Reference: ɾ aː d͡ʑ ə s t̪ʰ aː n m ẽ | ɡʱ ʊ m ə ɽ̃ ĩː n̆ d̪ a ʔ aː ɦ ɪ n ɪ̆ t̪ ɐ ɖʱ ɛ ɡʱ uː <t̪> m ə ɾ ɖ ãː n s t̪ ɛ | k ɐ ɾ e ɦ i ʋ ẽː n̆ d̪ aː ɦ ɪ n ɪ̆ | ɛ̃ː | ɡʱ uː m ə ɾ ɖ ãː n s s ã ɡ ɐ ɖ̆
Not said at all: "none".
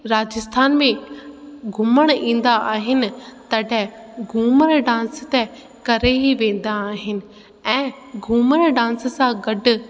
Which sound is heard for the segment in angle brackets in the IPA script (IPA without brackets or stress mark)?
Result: none